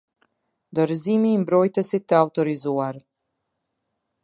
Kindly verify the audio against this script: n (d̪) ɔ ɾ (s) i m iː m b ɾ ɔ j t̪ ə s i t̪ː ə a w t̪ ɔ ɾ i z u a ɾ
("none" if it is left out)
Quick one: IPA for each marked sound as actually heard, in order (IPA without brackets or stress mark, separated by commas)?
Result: d̪, z